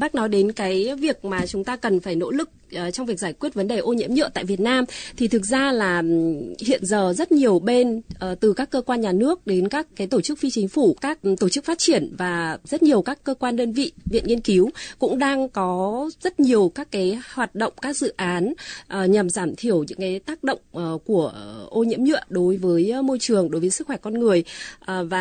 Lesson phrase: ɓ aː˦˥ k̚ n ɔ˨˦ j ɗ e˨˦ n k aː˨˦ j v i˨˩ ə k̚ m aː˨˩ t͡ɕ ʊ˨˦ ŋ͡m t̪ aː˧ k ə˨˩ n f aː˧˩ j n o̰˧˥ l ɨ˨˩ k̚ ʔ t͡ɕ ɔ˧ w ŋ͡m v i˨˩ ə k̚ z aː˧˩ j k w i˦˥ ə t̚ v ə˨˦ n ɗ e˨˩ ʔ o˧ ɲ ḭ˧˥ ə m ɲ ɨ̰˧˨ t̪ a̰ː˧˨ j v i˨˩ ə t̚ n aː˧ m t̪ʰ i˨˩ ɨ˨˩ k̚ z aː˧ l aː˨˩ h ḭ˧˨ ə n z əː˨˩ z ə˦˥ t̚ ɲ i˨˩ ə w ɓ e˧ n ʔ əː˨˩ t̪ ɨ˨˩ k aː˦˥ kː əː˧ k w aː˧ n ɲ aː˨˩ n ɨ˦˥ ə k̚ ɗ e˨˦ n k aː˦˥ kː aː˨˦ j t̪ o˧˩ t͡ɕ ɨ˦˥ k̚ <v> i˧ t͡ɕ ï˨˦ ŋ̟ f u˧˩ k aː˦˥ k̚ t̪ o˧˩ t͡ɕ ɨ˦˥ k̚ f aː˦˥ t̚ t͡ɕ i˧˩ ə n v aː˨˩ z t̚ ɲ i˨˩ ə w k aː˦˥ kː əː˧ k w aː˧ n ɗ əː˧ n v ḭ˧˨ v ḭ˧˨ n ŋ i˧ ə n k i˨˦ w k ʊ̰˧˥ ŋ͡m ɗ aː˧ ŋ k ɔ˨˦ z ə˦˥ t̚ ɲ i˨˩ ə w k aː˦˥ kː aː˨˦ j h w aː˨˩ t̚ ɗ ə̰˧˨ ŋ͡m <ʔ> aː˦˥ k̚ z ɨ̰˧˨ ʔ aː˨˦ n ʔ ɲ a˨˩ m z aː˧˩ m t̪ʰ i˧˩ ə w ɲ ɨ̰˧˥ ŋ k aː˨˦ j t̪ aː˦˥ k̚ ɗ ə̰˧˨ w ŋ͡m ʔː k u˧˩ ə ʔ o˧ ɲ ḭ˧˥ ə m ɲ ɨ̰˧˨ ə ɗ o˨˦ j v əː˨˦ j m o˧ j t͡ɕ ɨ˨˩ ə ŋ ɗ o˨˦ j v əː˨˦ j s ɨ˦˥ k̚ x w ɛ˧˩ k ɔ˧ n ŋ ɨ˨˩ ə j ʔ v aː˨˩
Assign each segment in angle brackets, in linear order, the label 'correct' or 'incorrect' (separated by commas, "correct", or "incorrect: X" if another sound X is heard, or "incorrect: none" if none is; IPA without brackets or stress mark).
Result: incorrect: f, incorrect: k